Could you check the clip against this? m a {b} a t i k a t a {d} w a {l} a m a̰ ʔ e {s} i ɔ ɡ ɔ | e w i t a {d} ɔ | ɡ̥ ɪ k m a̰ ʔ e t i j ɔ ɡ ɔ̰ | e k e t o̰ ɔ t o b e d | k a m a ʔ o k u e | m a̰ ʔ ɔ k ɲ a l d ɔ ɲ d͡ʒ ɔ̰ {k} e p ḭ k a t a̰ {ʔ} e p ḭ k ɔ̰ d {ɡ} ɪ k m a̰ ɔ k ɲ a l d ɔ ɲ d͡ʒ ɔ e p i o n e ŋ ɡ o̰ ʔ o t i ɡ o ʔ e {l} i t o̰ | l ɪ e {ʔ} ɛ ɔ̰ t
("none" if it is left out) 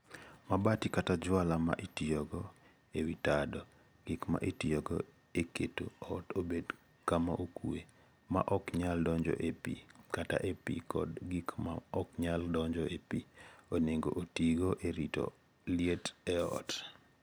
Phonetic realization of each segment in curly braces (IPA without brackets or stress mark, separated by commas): b, d͡ʒ, l, t, d, ʔ, ʔ, ɡ, ɾ, t